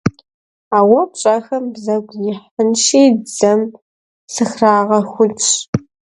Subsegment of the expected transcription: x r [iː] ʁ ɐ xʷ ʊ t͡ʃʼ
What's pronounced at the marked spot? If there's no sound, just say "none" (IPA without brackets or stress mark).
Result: aː